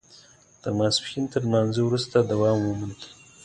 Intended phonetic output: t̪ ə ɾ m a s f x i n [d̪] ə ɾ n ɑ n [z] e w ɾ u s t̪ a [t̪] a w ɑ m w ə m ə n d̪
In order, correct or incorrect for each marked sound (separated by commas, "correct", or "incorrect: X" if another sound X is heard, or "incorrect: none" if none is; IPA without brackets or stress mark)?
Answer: incorrect: t̪, correct, incorrect: d̪